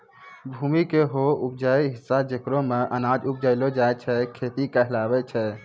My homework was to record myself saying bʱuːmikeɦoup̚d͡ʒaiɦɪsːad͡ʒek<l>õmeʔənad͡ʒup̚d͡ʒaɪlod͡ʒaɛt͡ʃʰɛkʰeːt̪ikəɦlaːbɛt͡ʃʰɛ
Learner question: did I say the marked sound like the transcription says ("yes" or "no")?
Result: no